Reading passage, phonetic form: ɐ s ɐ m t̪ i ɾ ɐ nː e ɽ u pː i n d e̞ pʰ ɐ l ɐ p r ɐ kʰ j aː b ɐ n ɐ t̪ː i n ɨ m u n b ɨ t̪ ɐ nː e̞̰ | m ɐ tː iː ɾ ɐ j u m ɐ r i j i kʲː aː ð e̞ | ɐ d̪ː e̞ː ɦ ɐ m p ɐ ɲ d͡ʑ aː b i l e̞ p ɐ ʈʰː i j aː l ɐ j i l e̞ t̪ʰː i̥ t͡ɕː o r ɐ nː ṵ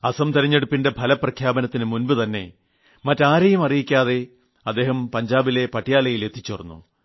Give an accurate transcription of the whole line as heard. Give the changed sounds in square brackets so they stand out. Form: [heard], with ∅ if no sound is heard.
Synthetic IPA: ɐ s ɐ m t̪ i ɾ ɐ [ɲː] e ɽ u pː i n d e̞ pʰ ɐ l ɐ p r ɐ kʰ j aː b ɐ n ɐ t̪ː i n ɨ m u n b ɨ t̪ ɐ nː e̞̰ | m ɐ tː [aː] ɾ ɐ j u m ɐ r i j i kʲː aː ð e̞ | ɐ d̪ː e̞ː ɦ ɐ m p ɐ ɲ d͡ʑ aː b i l e̞ p ɐ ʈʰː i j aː l ɐ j i l e̞ t̪ʰː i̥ t͡ɕː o r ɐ nː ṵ